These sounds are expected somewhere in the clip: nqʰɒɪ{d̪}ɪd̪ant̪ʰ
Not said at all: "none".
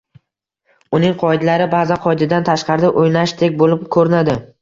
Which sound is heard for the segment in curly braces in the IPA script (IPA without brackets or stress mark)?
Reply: d̪